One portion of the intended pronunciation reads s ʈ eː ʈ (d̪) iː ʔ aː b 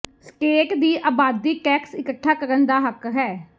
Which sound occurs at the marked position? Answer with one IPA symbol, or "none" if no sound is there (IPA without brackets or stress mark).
d̪